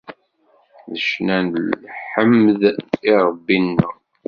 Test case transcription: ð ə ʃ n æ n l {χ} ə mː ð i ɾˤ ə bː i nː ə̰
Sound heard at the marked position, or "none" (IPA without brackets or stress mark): ħ